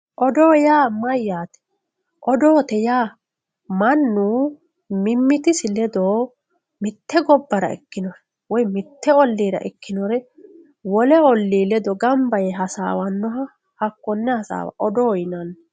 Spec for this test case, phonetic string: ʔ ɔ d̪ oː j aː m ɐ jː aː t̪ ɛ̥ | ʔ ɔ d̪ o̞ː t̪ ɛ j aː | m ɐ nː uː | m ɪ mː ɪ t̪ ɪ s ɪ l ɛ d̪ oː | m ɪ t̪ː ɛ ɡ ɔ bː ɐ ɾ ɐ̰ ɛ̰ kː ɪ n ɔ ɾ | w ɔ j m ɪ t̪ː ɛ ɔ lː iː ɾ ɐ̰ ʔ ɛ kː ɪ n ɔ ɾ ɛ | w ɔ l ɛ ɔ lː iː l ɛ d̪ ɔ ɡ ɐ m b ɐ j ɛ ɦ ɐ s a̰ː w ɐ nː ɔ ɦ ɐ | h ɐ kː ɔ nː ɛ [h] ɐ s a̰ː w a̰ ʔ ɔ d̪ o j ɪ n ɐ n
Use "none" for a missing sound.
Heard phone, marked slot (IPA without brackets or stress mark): h